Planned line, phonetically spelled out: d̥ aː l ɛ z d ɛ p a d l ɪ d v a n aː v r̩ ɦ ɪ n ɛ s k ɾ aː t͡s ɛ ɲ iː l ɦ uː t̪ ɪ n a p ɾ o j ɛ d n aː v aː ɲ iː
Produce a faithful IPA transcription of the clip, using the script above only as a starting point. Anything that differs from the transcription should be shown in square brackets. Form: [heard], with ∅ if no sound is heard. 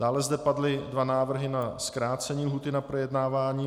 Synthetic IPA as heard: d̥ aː l ɛ z d ɛ p a d l ɪ d v a n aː v r̩ ɦ ɪ n [a] s k ɾ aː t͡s ɛ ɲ iː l ɦ uː t̪ ɪ n a p ɾ o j ɛ d n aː v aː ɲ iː